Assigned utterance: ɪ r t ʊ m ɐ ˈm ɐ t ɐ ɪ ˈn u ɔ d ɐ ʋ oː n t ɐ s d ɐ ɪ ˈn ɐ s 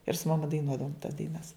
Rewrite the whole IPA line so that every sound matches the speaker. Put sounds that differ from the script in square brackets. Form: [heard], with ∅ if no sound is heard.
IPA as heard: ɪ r [s] ʊ m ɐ ˈm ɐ [d] ɐ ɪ ˈn u ɔ d ɐ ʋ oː [m] t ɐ s d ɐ ɪ ˈn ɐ s